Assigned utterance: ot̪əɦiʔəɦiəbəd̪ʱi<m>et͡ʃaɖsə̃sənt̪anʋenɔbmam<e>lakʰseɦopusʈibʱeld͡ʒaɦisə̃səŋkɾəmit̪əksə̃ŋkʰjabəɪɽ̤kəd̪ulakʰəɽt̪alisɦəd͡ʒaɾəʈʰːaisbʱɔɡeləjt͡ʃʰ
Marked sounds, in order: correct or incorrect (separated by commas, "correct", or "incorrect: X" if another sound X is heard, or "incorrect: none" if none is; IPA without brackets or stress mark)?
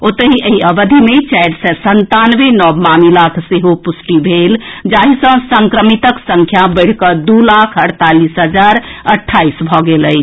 correct, incorrect: i